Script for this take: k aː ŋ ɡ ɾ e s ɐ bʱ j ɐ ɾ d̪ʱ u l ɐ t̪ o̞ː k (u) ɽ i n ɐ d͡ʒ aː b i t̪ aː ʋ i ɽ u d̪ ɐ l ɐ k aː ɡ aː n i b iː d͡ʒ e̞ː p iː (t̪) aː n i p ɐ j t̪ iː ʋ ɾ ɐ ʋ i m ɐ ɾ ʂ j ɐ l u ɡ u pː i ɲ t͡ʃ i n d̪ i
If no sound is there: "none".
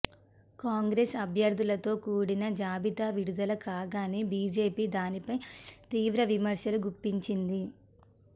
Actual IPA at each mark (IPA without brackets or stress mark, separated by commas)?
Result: uː, d̪